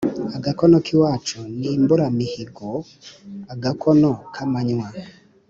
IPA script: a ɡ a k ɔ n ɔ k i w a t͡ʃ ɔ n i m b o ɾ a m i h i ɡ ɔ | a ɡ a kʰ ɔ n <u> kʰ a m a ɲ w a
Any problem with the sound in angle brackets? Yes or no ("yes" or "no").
yes